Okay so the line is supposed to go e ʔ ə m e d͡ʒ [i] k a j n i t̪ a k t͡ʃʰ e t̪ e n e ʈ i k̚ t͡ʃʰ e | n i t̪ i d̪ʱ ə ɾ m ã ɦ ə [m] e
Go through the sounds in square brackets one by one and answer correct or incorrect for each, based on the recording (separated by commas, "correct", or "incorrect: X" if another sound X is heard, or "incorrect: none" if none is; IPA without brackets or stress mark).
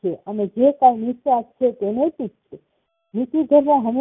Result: incorrect: e, correct